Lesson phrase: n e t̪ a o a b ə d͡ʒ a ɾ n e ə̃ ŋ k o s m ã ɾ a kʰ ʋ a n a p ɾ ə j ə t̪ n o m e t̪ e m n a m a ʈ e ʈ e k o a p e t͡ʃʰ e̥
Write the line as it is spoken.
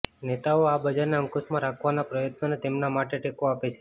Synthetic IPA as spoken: n e t̪ a o a b ə d͡ʒ a ɾ n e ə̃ ŋ k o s m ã ɾ a kʰ ʋ a n a p ɾ ə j ə t̪ n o n e t̪ e m n a m a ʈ e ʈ e k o a p e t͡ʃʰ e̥